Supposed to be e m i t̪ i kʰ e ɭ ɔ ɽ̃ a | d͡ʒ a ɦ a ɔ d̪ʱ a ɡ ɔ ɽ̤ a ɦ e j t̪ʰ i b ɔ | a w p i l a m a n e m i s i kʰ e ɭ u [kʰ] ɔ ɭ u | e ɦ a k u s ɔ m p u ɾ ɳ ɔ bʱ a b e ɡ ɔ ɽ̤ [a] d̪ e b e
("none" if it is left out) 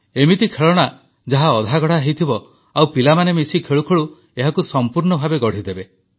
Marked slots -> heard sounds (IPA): kʰ, i

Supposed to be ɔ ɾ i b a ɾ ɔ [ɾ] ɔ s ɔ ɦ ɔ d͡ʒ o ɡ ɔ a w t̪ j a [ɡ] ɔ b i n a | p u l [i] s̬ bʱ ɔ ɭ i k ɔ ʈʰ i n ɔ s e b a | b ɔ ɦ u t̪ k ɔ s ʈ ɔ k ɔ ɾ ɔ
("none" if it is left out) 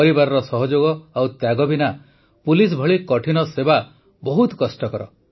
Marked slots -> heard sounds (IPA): ɾ, ɡ, i

